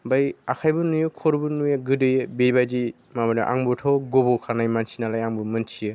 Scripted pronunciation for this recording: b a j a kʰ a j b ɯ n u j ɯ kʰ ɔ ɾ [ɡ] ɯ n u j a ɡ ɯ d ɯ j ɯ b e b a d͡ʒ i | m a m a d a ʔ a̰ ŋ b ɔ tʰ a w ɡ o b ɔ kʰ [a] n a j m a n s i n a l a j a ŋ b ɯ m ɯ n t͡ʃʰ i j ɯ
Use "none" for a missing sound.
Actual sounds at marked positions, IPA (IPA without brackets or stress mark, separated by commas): b, a